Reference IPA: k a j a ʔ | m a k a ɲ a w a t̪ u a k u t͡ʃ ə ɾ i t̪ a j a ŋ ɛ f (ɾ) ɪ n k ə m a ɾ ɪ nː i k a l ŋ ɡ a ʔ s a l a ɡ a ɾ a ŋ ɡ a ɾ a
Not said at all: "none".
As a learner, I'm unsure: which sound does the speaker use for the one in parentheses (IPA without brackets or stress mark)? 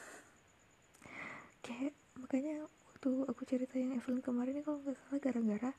l